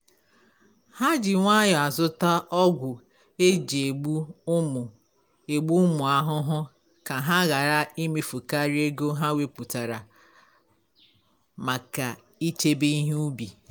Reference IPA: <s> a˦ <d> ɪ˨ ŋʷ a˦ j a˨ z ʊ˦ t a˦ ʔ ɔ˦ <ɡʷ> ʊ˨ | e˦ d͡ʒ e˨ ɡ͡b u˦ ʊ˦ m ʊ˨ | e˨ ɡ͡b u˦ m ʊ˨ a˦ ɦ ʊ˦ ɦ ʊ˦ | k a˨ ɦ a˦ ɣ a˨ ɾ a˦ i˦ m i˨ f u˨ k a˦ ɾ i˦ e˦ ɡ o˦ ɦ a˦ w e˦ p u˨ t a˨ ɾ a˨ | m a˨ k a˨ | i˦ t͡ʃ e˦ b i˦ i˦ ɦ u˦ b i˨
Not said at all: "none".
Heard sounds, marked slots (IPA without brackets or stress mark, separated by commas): h, d͡ʒ, ɡʷ